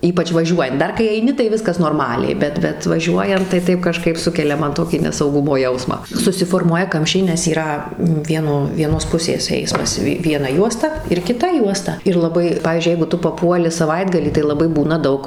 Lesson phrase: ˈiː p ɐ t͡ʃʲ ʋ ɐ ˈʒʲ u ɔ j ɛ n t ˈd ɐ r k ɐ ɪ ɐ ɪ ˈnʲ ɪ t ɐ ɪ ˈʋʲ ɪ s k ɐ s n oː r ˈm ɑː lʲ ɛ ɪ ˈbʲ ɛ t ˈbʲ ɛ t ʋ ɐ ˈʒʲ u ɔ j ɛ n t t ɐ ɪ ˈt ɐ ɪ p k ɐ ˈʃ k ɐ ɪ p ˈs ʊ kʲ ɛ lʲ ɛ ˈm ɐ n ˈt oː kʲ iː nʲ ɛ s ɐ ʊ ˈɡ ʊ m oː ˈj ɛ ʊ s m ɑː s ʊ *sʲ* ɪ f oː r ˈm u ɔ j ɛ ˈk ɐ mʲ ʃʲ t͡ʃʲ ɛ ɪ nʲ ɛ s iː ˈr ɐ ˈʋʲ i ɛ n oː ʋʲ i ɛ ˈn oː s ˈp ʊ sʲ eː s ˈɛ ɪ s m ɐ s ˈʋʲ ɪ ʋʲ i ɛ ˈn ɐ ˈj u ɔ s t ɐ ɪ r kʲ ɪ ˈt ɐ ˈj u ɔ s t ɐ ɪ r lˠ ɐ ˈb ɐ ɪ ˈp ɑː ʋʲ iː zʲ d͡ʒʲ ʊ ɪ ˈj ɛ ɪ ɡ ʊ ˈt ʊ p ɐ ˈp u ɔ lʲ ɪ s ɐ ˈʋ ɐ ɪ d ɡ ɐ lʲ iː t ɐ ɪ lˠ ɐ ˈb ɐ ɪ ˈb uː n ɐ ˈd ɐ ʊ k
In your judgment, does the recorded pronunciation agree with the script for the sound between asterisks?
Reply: yes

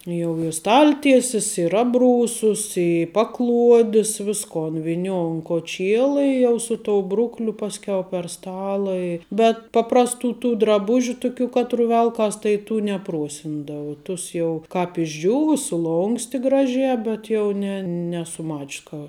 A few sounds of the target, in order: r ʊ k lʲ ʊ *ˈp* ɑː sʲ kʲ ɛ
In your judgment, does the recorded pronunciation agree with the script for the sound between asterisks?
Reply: yes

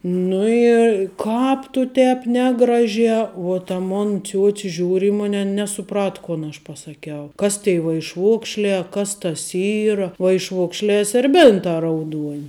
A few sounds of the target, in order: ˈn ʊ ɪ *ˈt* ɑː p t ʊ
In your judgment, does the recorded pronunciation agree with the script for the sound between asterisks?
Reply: no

